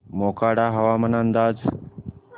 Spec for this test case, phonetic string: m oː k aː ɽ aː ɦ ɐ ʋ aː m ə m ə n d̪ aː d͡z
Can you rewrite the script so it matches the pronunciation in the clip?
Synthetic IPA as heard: m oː k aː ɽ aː ɦ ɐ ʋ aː m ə n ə n d̪ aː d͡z